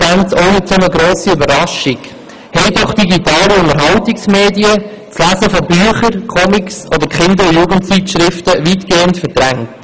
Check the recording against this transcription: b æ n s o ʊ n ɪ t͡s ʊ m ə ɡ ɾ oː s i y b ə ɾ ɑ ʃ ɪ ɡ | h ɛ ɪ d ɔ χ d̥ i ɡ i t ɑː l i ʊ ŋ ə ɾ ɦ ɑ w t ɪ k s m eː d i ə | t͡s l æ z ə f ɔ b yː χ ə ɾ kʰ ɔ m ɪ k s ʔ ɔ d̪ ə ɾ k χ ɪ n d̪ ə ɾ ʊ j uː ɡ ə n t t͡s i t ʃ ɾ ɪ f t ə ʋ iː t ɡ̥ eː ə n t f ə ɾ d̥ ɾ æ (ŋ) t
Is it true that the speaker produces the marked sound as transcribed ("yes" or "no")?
yes